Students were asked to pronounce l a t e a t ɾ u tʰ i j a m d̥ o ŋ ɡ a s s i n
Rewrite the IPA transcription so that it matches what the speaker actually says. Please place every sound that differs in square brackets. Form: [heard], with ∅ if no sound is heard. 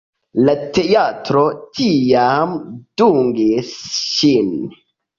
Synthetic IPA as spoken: l a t e a t ɾ [o] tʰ i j a m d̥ [u] ŋ ɡ [i] s [ʃ] i n